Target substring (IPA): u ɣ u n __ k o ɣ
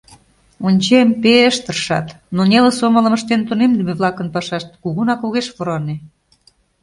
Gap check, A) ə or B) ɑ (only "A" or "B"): B